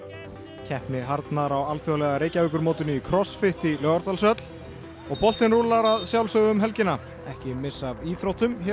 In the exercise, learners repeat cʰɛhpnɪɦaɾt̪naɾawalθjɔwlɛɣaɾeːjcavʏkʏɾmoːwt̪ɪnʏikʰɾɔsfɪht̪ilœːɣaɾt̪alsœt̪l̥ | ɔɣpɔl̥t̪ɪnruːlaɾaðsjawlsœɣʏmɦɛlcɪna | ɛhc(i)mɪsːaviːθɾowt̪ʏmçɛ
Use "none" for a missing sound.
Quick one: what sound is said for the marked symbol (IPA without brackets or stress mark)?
ɪ